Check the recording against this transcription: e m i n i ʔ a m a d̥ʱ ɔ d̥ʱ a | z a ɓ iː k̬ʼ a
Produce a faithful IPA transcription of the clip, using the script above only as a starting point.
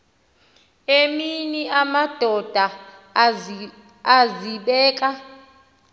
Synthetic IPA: e m i n i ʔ a m a d̥ʱ ɔ d̥ʱ a | z i ɓ ɛː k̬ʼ a